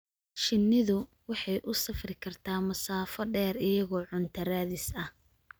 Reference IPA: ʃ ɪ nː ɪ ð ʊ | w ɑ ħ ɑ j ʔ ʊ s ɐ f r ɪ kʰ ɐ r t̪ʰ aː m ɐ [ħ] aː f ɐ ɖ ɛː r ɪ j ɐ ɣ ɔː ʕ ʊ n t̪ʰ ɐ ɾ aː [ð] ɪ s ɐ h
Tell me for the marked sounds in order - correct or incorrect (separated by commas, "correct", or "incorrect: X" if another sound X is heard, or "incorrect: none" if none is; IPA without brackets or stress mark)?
incorrect: s, correct